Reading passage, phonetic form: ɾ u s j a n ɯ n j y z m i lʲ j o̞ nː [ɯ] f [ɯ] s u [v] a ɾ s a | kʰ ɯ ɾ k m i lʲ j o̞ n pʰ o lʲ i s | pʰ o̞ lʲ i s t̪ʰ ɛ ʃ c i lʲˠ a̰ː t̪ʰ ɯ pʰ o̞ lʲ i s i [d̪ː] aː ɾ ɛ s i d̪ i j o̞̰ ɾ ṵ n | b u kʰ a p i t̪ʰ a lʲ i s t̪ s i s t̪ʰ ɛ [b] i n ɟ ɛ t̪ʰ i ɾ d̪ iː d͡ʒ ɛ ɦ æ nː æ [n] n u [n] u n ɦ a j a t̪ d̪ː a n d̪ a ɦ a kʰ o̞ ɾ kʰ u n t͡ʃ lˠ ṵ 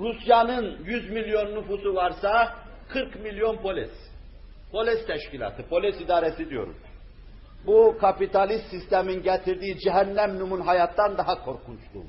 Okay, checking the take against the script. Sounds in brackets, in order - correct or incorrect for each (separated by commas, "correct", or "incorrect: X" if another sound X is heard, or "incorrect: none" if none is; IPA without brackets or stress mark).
incorrect: u, incorrect: u, correct, incorrect: d̪, incorrect: m, incorrect: m, incorrect: m